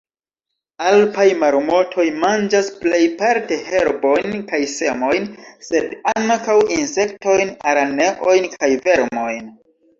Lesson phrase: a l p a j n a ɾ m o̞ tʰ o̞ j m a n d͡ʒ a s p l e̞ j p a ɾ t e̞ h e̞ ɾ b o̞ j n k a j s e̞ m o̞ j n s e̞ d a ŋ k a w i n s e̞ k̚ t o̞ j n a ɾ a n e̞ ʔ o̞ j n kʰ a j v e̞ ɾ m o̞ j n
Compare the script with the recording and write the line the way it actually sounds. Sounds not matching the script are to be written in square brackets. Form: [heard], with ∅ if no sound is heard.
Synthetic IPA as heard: a l p a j [m] a ɾ m o̞ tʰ o̞ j m a n d͡ʒ a s p l e̞ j p a ɾ t e̞ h e̞ ɾ b o̞ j n k a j s e̞ m o̞ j n s e̞ d a ŋ k a w i n s e̞ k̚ t o̞ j n a ɾ a n e̞ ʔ o̞ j n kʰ a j v e̞ ɾ m o̞ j n